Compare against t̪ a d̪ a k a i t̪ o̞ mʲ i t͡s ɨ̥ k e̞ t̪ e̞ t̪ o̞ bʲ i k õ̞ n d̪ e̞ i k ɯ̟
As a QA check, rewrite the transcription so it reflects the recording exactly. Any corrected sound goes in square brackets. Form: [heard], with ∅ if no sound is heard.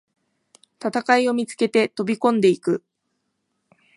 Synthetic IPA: t̪ a [t̪] a k a i [∅] o̞ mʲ i t͡s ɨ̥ k e̞ t̪ e̞ t̪ o̞ bʲ i k õ̞ n d̪ e̞ i k ɯ̟